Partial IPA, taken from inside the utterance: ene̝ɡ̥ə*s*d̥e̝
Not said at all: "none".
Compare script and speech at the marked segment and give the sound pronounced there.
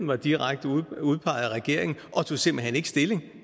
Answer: s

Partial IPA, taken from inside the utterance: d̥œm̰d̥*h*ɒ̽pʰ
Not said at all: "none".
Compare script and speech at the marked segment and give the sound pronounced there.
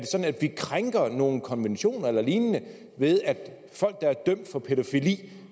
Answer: f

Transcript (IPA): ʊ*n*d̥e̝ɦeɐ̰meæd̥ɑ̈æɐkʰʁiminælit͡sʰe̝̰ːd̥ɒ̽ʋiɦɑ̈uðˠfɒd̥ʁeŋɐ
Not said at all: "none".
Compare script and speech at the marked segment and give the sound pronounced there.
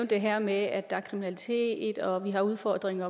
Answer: n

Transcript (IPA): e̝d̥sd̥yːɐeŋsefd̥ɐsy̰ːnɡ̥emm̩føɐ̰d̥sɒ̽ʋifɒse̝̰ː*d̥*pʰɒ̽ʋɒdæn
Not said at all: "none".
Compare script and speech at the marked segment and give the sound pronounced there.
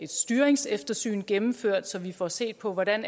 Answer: d̥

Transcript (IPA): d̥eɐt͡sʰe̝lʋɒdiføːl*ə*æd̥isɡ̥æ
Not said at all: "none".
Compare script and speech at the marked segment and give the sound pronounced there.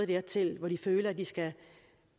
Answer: ɐ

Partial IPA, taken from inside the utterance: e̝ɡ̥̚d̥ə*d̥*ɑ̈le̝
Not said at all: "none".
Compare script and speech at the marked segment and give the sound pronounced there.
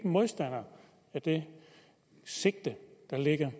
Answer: d̥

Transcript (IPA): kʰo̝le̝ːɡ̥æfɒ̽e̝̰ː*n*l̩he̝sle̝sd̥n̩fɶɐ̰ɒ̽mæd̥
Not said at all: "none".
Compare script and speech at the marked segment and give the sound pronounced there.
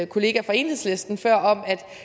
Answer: n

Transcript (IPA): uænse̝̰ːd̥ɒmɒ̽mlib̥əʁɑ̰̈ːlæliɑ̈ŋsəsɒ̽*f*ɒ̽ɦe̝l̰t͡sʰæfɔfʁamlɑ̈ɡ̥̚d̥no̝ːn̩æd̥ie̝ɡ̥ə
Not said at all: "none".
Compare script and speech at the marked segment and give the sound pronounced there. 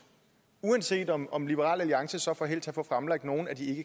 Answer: f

